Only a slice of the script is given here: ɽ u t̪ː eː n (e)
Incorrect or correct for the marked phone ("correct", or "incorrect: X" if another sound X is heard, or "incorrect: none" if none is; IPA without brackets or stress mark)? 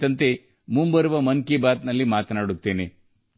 correct